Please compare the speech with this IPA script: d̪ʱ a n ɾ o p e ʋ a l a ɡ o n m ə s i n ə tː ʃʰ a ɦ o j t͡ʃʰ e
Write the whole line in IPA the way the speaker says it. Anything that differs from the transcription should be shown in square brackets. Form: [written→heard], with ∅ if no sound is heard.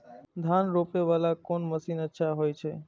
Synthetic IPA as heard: d̪ʱ a n ɾ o p e ʋ a l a [ɡ→k] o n m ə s i n ə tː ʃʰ a ɦ o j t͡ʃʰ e